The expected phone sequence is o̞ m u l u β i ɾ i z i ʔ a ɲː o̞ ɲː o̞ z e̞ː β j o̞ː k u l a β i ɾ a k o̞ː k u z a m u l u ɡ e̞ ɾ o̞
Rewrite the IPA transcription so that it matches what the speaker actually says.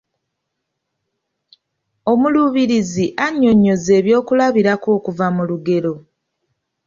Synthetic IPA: o̞ m u l u β i ɾ i z i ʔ a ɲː o̞ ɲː o̞ z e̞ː β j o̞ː k u l a β i ɾ a k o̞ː k u v a m u l u ɡ e̞ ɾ o̞

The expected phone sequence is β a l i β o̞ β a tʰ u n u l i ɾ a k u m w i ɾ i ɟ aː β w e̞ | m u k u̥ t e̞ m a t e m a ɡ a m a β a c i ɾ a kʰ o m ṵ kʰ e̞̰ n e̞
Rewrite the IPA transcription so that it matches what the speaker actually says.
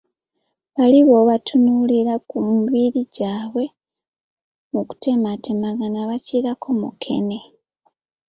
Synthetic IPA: β a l i β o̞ β a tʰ u n u l i ɾ a k u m β i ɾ i ɟ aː β w e̞ | m u k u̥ t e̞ m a t e m a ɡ a n a β a c i ɾ a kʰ o m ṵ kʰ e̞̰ n e̞

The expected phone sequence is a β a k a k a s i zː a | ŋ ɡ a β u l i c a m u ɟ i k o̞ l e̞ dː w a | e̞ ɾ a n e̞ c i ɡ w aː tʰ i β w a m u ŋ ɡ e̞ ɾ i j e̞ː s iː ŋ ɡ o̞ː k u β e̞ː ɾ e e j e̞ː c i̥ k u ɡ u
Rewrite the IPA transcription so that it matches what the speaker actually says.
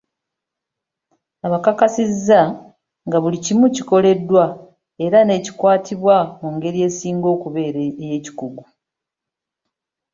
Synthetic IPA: a β a k a k a s i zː a | ŋ ɡ a β u l i c i m u c i k o̞ l e̞ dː w a | e̞ ɾ a n e̞ c i k w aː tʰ i β w a m u ŋ ɡ e̞ ɾ i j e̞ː s iː ŋ ɡ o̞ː k u β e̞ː ɾ e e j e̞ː c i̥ k u ɡ u

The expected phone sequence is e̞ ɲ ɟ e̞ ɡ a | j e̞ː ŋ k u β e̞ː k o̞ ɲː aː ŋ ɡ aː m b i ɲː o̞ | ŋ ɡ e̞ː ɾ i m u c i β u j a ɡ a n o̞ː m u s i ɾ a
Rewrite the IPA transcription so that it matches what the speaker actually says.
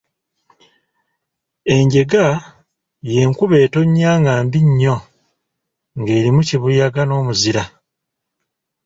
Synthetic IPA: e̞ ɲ ɟ e̞ ɡ a | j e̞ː ŋ k u β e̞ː t o̞ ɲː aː ŋ ɡ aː m b i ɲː o̞ | ŋ ɡ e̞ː ɾ i m u c i β u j a ɡ a n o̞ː m u z i ɾ a

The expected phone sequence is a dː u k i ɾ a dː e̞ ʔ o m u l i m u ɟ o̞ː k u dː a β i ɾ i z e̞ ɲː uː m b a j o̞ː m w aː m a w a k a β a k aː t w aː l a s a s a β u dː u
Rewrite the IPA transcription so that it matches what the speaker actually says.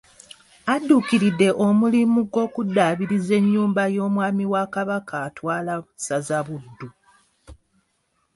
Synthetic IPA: a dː u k i ɾ i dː e̞ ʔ o m u l i m u ɡ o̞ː k u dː a β i ɾ i z e̞ ɲː uː m b a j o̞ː m w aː m i w a k a β a k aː t w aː l a s a z a β u dː u

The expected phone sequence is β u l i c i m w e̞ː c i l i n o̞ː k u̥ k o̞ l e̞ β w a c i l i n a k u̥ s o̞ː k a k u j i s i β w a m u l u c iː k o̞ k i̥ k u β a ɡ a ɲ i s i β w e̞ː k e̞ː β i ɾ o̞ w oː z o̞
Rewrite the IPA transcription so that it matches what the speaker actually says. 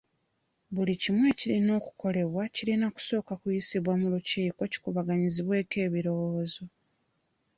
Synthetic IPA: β u l i c i m w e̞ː c i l i n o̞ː k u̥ k o̞ l e̞ β w a c i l i n a k u̥ s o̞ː k a k u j i s i β w a m u l u c iː k o̞ c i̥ k u β a ɡ a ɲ i z i β w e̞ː k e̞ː β i ɾ o̞ w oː z o̞

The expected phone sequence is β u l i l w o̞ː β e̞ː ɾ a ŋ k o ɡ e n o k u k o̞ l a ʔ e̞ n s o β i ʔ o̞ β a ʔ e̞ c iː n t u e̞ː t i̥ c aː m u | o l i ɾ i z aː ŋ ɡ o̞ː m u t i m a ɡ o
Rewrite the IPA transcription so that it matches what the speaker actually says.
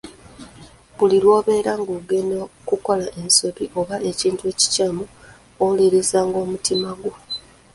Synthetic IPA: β u l i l w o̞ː β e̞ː ɾ a ŋ ɡ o ɡ e n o k u k o̞ l a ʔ e̞ n s o β i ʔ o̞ β a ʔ e̞ c iː n t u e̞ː c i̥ c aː m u | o l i ɾ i z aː ŋ ɡ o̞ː m u t i m a ɡ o

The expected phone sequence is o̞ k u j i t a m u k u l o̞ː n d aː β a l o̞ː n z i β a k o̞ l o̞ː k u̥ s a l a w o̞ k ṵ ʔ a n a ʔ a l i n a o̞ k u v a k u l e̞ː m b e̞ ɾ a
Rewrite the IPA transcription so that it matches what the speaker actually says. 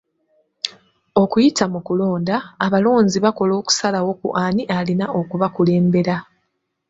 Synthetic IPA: o̞ k u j i t a m u k u l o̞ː n d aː β a l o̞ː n z i β a k o̞ l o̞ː k u̥ s a l a w o̞ k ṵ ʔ a n i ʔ a l i n a o̞ k u β a k u l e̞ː m b e̞ ɾ a

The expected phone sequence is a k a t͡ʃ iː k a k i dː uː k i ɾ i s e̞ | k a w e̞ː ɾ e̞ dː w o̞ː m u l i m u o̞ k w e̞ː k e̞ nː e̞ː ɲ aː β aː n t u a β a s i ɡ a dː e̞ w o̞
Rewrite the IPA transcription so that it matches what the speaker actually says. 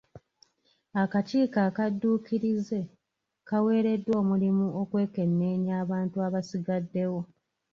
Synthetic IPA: a k a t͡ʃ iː k a k a dː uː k i ɾ i z e̞ | k a w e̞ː ɾ e̞ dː w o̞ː m u l i m u o̞ k w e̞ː k e̞ nː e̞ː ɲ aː β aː n t u a β a s i ɡ a dː e̞ w o̞

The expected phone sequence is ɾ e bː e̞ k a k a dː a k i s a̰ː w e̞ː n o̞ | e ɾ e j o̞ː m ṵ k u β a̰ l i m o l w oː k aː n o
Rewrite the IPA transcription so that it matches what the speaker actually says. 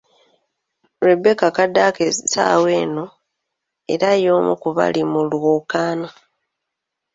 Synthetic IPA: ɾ e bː e̞ k a k a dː a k e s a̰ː w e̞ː n o̞ | e ɾ a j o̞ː m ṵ k u β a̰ l i m u l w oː k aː n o

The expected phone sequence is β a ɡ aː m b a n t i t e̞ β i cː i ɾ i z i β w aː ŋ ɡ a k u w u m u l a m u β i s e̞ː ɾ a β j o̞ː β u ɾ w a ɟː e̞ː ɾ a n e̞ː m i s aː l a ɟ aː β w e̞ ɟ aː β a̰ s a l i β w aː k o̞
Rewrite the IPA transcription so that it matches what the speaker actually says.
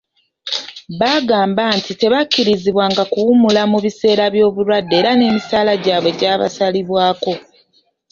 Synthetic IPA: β a ɡ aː m b a n t i t e̞ β a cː i ɾ i z i β w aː ŋ ɡ a k u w u m u l a m u β i s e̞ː ɾ a β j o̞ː β u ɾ w a dː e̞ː ɾ a n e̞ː m i s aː l a ɟ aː β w e̞ ɟ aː β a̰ s a l i β w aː k o̞

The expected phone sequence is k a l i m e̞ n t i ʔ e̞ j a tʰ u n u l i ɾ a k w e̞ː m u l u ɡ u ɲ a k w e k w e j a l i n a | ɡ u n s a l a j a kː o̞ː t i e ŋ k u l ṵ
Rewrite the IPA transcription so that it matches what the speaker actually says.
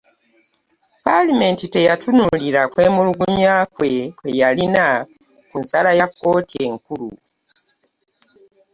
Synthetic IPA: p a l i m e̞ n t i t e̞ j a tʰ u n u l i ɾ a k w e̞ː m u l u ɡ u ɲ a k w e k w e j a l i n a | k u n s a l a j a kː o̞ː t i e ŋ k u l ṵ

